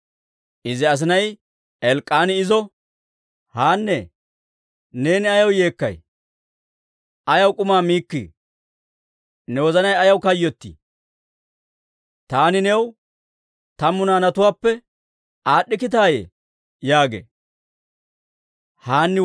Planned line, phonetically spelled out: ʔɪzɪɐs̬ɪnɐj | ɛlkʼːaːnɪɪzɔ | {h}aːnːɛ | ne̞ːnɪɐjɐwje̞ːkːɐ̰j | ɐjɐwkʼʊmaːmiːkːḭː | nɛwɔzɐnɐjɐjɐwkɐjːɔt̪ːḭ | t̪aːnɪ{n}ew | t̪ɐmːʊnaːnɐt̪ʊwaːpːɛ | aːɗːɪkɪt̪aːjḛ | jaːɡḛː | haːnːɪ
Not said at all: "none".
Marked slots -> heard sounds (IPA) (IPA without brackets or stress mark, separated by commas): h, n